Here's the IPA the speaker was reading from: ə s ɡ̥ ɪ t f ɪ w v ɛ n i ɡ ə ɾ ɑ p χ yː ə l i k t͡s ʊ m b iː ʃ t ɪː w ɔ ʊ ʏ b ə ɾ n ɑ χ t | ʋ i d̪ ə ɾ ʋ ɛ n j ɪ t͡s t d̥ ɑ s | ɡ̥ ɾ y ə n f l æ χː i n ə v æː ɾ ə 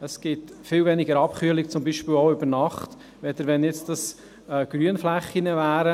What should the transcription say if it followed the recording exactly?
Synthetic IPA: ə s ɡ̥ ɪ t f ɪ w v ɛ n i ɡ ə ɾ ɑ p χ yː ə l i k t͡s ʊ m b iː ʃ p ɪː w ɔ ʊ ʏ b ə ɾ n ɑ χ t | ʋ ɛ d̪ ə ɾ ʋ ɛ n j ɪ t͡s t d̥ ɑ s | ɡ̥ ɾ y ə n f l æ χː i n ə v æː ɾ ə